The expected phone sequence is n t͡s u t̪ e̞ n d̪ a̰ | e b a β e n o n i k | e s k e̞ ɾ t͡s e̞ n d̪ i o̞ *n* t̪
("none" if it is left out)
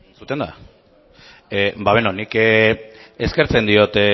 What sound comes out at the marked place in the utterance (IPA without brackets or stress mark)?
none